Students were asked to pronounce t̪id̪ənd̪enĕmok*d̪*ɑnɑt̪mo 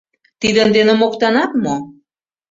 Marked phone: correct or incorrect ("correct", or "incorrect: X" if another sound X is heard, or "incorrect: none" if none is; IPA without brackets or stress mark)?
incorrect: t̪